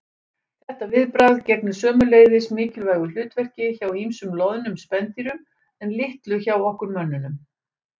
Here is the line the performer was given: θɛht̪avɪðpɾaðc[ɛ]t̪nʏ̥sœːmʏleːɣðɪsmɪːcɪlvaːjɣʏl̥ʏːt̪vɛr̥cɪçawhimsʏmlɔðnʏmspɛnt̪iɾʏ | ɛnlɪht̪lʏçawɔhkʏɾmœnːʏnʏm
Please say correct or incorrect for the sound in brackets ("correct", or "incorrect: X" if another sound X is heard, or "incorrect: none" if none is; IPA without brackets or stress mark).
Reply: correct